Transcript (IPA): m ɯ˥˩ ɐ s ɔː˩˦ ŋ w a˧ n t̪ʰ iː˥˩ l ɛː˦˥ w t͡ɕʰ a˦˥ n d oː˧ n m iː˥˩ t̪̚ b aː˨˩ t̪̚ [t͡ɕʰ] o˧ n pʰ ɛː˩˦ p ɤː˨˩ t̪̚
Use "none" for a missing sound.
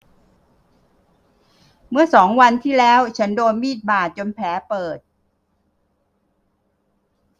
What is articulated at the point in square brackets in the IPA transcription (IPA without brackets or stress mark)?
t͡ɕ